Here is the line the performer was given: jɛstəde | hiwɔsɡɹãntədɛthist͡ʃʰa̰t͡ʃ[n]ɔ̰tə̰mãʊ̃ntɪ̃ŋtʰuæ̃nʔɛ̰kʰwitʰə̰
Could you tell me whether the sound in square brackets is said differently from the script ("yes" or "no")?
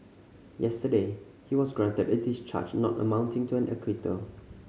no